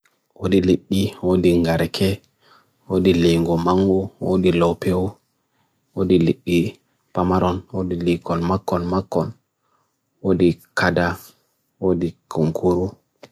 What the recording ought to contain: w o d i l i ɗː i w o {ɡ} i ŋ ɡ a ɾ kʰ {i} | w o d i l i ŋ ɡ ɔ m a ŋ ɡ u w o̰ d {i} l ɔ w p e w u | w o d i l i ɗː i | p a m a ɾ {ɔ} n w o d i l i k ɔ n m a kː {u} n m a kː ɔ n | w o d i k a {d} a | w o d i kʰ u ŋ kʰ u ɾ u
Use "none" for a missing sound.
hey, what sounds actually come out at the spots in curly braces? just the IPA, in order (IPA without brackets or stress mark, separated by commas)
d, ɛ, i, ɔ, ɔ, d